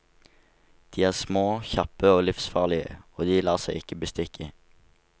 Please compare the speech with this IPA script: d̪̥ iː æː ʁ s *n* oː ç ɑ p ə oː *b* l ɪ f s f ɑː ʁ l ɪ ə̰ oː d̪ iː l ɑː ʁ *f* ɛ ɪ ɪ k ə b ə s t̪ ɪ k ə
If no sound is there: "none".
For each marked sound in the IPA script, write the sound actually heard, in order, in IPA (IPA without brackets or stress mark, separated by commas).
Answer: m, none, s